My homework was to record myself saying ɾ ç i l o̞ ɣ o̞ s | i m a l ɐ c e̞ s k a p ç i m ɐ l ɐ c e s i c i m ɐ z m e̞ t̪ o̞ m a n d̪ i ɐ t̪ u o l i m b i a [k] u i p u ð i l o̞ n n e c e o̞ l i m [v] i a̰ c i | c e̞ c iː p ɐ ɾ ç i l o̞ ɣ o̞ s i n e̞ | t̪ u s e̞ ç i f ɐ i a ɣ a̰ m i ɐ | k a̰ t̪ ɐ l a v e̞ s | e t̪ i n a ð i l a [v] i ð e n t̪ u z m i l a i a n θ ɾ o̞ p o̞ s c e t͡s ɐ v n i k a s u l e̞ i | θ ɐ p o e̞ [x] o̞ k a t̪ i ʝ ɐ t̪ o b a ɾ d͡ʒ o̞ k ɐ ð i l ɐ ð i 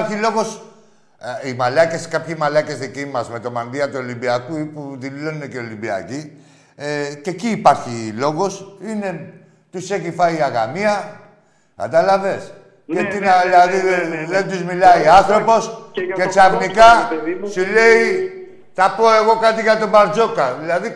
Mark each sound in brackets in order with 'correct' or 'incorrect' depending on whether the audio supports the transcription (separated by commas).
correct, incorrect, incorrect, incorrect